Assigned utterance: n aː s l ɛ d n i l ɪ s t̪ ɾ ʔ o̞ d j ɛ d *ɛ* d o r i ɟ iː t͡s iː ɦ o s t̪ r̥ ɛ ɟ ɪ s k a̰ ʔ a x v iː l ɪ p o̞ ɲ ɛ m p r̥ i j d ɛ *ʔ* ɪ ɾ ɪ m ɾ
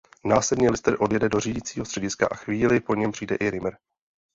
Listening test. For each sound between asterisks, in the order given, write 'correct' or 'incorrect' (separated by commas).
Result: correct, correct